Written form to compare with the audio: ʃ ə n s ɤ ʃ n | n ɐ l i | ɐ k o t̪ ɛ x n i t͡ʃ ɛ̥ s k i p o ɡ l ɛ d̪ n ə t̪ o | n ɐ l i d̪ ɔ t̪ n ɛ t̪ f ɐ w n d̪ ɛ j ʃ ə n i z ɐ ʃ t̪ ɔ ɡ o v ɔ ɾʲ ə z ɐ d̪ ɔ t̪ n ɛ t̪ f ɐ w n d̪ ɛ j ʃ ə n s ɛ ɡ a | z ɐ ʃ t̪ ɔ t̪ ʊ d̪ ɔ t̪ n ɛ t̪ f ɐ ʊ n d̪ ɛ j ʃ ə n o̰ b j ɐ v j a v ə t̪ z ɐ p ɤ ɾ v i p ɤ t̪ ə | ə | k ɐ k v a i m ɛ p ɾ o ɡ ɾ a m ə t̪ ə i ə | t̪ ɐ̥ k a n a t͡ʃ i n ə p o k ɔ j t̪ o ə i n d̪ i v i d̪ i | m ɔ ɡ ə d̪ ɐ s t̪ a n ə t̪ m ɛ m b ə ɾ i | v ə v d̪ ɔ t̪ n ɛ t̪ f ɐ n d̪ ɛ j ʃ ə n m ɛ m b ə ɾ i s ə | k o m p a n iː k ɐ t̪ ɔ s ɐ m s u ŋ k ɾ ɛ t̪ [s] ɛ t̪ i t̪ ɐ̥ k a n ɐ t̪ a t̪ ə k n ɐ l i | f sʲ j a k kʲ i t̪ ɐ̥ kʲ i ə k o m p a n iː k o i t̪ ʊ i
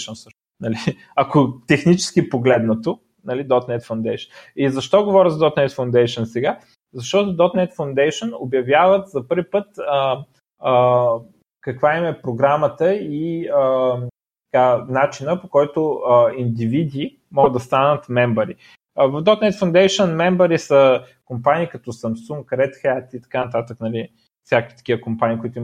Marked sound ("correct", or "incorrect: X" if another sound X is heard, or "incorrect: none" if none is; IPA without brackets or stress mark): incorrect: x